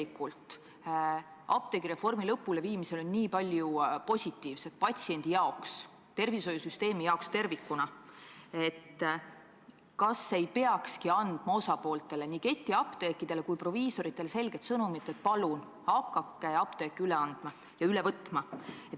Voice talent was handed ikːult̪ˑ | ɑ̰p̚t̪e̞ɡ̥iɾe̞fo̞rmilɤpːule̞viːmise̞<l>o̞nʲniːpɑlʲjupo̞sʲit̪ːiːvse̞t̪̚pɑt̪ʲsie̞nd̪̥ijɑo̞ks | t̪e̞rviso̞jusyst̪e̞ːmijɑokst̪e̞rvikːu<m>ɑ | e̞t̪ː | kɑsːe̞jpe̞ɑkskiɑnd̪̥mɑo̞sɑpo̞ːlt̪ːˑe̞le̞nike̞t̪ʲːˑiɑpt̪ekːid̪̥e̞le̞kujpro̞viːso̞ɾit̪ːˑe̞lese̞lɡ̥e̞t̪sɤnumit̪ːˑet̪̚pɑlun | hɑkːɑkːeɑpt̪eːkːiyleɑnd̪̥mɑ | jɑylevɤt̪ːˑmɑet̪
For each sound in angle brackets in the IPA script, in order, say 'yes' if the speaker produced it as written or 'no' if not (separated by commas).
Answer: yes, no